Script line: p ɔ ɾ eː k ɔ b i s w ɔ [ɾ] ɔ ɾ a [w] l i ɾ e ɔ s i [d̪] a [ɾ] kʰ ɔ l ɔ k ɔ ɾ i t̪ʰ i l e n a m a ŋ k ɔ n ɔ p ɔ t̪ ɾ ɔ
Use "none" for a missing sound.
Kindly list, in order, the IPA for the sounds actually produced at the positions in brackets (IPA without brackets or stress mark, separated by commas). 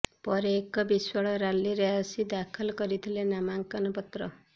ɭ, none, d̪, none